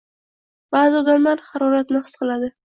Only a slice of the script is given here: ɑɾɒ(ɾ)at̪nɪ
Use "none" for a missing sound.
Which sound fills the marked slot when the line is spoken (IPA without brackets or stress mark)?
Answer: ɾ